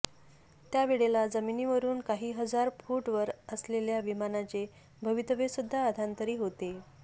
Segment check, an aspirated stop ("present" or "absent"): absent